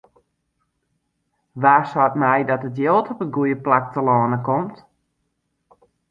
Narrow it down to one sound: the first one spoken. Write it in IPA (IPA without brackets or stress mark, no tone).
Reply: ʋ